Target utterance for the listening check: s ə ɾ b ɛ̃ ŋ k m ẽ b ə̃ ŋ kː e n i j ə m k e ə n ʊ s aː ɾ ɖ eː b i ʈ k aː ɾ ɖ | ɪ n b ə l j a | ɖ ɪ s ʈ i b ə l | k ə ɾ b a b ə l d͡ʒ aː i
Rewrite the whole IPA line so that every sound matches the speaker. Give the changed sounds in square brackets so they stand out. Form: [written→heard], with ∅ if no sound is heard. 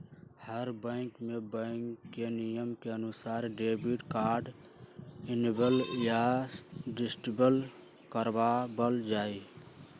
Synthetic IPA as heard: [s→h] ə ɾ b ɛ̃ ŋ k m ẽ b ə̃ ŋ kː e n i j ə m k e ə n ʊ s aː ɾ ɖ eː b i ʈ k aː ɾ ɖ | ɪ n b ə l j a | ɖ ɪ s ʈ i b ə l | k ə ɾ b a b ə l d͡ʒ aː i